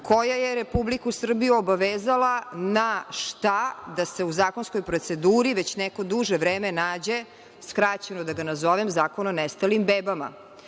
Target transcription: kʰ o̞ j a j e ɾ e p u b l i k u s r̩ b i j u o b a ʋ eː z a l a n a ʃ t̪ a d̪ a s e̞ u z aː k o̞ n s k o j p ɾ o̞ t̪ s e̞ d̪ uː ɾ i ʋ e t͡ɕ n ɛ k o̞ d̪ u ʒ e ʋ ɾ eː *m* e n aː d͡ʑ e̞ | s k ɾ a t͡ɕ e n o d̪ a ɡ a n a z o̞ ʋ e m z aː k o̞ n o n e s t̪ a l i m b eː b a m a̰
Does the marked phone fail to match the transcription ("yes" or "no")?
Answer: no